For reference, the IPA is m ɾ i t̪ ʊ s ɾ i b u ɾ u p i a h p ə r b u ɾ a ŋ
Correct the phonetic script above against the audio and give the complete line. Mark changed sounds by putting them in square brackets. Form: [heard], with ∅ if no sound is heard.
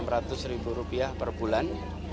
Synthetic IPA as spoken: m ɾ [a] t̪ ʊ s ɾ i b u ɾ u p i a h p ə r b u [l] a [n]

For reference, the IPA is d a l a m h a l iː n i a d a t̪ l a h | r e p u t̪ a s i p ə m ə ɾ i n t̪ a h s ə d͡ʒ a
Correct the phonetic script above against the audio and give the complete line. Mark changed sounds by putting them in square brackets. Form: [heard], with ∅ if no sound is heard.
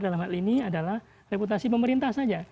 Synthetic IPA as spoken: d a l a m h a l [i] n i a d a [∅] l a h | r e p u t̪ a s i p ə m ə ɾ i n t̪ a h s [a] d͡ʒ a

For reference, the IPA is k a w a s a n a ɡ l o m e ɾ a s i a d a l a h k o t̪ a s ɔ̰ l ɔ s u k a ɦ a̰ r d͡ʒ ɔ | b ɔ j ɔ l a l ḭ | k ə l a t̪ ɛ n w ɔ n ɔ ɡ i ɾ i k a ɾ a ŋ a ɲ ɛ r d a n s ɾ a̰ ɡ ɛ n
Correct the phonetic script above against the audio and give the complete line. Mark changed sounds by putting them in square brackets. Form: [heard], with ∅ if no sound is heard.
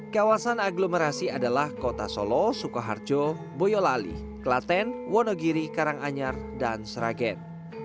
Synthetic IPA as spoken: k a w a s a n a ɡ l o m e ɾ a s i a d a l a h k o t̪ a s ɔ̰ l ɔ s u k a ɦ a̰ r d͡ʒ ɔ | b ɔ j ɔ l a l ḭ | k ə l a t̪ ɛ n w ɔ n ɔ ɡ i ɾ i k a ɾ a ŋ a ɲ [a] r d a n s ɾ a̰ ɡ ɛ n

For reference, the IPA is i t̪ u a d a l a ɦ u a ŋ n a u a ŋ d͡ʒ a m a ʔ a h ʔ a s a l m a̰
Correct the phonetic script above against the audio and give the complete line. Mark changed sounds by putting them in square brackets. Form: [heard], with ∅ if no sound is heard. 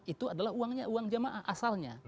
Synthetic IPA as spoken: i t̪ u a d a l a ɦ u a ŋ [ɲ] a u a ŋ d͡ʒ a m a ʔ a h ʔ a s a l [ɲ] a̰

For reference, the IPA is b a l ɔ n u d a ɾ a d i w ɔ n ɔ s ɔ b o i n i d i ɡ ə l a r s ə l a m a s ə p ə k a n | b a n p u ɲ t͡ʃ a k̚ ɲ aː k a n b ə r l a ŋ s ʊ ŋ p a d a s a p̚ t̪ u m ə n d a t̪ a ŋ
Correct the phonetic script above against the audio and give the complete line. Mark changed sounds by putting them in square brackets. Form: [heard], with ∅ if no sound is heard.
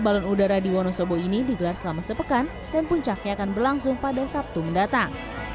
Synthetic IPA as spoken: b a l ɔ n u d a ɾ a d i w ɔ n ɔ s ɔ b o i n i d i ɡ ə l a r s ə l a m a s ə p ə k a n | [d] a n p u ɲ t͡ʃ a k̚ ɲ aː k a n b ə r l a ŋ s ʊ ŋ p a d a s a p̚ t̪ u m ə n d a t̪ a ŋ

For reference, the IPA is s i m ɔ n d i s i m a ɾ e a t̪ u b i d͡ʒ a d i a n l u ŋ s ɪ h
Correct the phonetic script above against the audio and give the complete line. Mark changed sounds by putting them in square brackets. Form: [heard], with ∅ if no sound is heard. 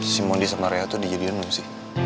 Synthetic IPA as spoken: s i m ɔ n d i s [a] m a ɾ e a t̪ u [d] i d͡ʒ a d i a n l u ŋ s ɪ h

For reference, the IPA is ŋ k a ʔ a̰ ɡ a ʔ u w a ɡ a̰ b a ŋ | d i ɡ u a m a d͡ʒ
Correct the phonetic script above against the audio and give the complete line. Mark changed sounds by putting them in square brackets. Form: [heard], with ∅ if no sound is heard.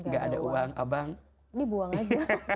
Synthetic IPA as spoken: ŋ [ɡ] a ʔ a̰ [d] a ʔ u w a [ŋ] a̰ b a ŋ | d i [b] u a [ŋ] a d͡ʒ

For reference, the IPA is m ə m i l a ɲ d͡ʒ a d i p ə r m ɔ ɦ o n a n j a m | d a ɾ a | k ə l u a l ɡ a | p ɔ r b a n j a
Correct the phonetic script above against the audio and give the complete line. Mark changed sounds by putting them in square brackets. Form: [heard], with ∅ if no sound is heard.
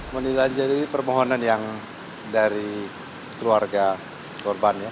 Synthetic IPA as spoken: m ə [n] i l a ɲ d͡ʒ a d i p ə r m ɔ ɦ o n a n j a [ŋ] | d a ɾ [i] | k ə l u a [r] ɡ a | [k] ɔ r b a n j a

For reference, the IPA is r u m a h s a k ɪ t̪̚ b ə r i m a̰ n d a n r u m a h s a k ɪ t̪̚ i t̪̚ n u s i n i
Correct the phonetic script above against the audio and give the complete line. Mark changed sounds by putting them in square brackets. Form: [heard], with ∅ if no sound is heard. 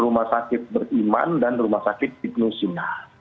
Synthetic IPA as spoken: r u m a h s a k ɪ t̪̚ b ə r i m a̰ n d a n r u m a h s a k ɪ t̪̚ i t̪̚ n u s i n [a]

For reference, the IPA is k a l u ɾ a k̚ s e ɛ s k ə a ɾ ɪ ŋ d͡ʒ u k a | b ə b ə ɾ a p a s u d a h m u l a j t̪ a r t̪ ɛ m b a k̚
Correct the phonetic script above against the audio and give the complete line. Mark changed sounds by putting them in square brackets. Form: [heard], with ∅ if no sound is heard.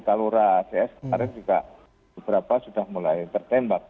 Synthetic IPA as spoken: k a l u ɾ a [∅] s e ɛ s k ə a ɾ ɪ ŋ d͡ʒ u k a | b ə b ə ɾ a p a s u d a h m u l a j t̪ [ə] r t̪ ɛ m b a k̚

